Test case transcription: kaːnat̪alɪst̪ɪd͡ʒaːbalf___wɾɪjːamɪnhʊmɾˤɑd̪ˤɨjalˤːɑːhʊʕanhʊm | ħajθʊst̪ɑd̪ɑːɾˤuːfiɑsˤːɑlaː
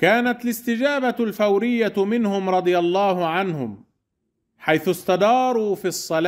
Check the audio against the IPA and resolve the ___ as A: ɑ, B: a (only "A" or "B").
B